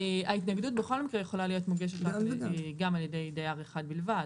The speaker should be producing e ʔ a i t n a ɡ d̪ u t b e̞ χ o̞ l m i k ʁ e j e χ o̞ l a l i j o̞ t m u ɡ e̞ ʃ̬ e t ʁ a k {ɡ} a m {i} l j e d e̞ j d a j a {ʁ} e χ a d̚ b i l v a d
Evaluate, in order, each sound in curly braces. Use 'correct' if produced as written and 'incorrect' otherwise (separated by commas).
correct, incorrect, correct